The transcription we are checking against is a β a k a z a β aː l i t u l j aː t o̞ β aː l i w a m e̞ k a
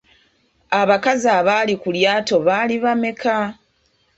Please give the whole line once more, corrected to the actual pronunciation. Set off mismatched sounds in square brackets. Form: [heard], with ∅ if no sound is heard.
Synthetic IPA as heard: a β a k a z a β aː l i [k] u l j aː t o̞ β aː l i [β] a m e̞ k a